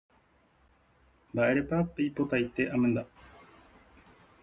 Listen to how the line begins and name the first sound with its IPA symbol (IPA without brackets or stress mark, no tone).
b